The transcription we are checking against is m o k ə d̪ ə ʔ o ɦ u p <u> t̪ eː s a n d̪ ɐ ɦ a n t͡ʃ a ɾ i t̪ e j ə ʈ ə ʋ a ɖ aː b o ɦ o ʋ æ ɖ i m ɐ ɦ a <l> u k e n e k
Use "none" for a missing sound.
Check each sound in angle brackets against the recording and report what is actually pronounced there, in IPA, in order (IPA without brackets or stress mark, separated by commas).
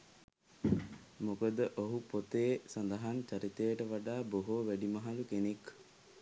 o, l